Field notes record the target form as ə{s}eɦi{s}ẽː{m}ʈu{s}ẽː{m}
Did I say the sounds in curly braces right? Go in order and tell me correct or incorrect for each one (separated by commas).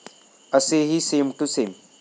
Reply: correct, correct, correct, correct, correct